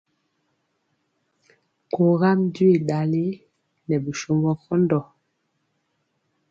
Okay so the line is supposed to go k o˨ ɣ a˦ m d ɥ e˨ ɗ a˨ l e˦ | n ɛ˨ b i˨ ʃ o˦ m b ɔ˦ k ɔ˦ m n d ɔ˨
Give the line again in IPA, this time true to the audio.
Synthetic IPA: k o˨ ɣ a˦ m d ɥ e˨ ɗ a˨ l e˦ | n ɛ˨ b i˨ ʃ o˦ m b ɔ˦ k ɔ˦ n d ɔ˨